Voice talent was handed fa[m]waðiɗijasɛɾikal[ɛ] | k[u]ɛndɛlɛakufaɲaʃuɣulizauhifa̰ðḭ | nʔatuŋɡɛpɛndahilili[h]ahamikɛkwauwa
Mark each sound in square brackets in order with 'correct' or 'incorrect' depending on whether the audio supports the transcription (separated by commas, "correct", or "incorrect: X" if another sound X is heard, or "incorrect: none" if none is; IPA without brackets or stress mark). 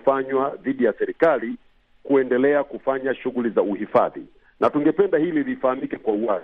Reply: incorrect: ɲ, incorrect: i, correct, incorrect: f